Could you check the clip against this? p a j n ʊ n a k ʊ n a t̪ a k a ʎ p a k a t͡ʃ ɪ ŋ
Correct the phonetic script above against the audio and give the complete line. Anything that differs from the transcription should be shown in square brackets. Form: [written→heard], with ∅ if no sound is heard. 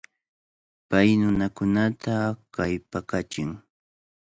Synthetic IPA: p a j n ʊ n a k ʊ n a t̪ a k a [ʎ→j] p a k a t͡ʃ ɪ ŋ